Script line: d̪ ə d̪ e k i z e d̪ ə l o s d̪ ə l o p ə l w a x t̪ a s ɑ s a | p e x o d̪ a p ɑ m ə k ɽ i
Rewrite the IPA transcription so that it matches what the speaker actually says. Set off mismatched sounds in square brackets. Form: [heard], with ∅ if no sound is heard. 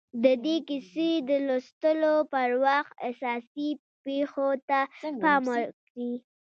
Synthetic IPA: d̪ ə d̪ e k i [s] e d̪ ə l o s [t̪] ə l o p ə [ɾ] w a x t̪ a s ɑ s [i] | p e x o [t̪] a p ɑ m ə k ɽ i